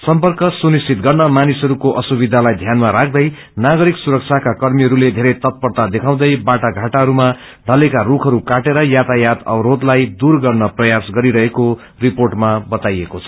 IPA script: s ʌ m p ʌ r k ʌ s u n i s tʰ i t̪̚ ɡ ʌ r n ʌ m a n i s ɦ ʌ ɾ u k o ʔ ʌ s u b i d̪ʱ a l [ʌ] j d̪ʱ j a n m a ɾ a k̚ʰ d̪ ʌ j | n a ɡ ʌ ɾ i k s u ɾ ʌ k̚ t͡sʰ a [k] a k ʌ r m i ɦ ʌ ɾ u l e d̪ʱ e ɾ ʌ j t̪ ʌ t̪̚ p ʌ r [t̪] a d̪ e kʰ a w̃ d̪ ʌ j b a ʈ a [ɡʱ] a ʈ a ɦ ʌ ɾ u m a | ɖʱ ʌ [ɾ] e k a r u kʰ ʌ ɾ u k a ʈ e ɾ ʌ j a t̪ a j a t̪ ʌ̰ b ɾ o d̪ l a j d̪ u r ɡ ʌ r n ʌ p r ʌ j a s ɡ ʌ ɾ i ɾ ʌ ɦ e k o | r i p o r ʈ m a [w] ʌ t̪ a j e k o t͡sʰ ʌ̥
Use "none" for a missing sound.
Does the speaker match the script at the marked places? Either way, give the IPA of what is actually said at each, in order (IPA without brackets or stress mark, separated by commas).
a, k, t̪, ɡʱ, l, b